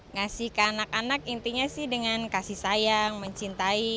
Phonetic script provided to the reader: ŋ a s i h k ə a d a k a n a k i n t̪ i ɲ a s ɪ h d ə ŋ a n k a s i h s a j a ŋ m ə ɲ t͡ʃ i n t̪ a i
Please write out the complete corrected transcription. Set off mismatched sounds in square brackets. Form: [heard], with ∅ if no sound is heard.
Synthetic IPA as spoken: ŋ a s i h k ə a [n] a k a n a k i n t̪ i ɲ a s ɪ h d ə ŋ a n k a s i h s a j a ŋ m ə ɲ t͡ʃ i n t̪ a i

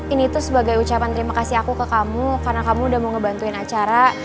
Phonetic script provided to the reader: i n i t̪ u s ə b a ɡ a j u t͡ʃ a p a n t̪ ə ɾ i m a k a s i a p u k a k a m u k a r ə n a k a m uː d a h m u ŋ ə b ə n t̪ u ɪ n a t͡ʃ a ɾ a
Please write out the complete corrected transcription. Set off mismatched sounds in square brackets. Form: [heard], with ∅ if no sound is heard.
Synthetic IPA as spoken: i n i t̪ u s ə b a ɡ a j u t͡ʃ a p a n t̪ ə ɾ i m a k a s i a [k] u k [ə] k a m u k a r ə n a k a m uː d a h m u ŋ ə b [a] n t̪ u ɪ n a t͡ʃ a ɾ a

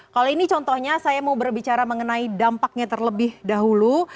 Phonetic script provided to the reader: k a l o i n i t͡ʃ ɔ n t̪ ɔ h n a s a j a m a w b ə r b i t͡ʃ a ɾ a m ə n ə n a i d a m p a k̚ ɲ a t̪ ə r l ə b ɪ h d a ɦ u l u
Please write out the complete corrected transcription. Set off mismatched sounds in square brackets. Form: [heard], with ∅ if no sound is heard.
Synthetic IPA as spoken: k a l o i n i t͡ʃ ɔ n t̪ ɔ h [ɲ] a s a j a m a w b ə r b i t͡ʃ a ɾ a m ə [ŋ] ə n a i d a m p a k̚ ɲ a t̪ ə r l ə b ɪ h d a ɦ u l u

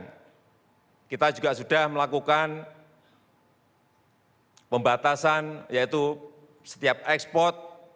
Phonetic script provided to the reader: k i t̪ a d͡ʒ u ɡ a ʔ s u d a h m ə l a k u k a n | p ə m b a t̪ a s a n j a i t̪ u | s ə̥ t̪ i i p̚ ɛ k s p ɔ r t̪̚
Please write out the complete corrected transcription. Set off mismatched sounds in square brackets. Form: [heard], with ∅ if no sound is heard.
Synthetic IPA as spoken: k i t̪ a d͡ʒ u ɡ a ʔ s u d a h m ə l a k u k a n | p ə m b a t̪ a s a n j a i t̪ u | s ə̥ t̪ i [a] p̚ ɛ k s p ɔ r t̪̚

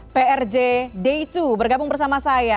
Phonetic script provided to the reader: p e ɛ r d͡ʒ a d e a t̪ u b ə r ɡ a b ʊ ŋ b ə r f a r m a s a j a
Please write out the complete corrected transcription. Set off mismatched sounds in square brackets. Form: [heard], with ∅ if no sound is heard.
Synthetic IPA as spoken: p e ɛ r d͡ʒ [e] d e [i] t̪ u b ə r ɡ a b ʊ ŋ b ə r [s] a [∅] m a s a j a

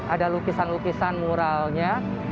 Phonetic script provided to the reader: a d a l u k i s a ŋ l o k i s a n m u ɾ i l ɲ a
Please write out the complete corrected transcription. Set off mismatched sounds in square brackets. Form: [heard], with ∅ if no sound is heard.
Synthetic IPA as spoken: a d a l u k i s a [n] l [u] k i s a n m u ɾ [a] l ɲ a

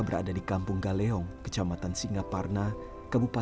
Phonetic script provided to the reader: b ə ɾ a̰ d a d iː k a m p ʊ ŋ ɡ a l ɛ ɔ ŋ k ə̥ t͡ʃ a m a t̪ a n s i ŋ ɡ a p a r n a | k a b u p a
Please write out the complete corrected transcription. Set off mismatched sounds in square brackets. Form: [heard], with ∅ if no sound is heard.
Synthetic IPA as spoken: b ə ɾ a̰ d a d [i] k a m p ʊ ŋ ɡ a l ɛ ɔ ŋ k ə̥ t͡ʃ a m a t̪ a n s i ŋ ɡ a p a r n a | k a b u p a

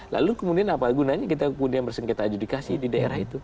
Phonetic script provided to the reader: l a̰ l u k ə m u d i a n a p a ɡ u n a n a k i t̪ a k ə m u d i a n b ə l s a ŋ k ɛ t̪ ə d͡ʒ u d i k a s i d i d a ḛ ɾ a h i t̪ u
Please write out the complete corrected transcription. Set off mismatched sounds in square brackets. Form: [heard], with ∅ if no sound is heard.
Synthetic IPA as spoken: l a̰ l u k ə m u d i a n a p a ɡ u n a [ɲ] a k i t̪ a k ə m u d i a n b ə [r] s [ə] ŋ k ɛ t̪ [a] d͡ʒ u d i k a s i d i d a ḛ ɾ a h i t̪ u

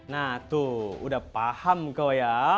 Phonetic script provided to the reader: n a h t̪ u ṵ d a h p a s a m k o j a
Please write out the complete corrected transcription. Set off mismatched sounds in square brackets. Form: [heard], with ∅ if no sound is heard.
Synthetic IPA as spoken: n a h t̪ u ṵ d a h p a [h] a m k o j a

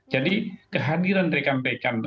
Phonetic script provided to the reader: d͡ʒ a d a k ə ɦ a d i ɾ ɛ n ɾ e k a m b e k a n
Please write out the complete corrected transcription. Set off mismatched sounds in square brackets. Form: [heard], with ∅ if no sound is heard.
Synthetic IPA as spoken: d͡ʒ a d [i] k ə ɦ a d i ɾ [a] n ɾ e k a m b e k a n

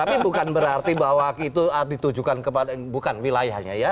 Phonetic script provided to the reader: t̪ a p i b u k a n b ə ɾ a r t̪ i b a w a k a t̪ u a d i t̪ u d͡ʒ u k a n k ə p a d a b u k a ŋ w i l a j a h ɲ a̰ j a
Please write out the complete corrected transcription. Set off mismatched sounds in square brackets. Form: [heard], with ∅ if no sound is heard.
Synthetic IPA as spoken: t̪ a p i b u k a n b ə ɾ a r t̪ i b a w a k [i] t̪ u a d i t̪ u d͡ʒ u k a n k ə p a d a b u k a [n] w i l a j a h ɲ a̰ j a

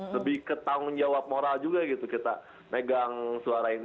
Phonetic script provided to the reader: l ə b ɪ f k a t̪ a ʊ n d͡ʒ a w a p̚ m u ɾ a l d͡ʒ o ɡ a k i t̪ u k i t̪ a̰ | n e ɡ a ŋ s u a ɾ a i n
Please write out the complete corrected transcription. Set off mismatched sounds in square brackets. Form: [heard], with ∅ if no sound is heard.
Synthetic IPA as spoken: l ə b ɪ [h] k [ə] t̪ a ʊ n d͡ʒ a w a p̚ m [o] ɾ a l d͡ʒ [u] ɡ a [ɡ] i t̪ u k i t̪ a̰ | [m] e ɡ a ŋ s u a ɾ a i n

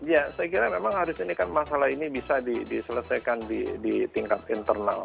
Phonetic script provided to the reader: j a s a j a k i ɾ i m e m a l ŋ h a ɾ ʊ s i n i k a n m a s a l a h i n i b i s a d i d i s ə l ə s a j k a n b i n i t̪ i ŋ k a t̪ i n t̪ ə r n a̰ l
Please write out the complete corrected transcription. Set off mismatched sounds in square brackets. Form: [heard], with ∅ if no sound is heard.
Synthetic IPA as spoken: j a s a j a k i ɾ [a] m e m a [∅] ŋ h a ɾ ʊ s i n i k a n m a s a l a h i n i b i s a d i d i s ə l ə s a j k a n [d] i [d] i t̪ i ŋ k a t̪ i n t̪ ə r n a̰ l

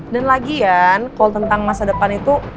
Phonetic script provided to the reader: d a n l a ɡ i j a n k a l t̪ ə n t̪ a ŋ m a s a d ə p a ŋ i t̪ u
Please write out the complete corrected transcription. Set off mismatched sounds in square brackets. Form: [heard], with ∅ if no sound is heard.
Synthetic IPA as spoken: d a n l a ɡ i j a n k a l t̪ ə n t̪ a ŋ m a s a d ə p a [n] i t̪ u

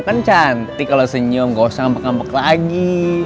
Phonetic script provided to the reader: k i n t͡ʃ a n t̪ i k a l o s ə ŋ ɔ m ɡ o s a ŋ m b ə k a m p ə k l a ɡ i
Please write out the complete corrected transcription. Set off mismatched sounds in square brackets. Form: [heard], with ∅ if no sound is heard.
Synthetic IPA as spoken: k [a] n t͡ʃ a n t̪ i k a l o s ə [ɲ] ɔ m ɡ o s a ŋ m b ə k a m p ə k l a ɡ i

